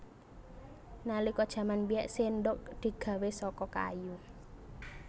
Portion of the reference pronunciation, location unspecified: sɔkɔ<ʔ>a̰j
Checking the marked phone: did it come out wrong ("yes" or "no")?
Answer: yes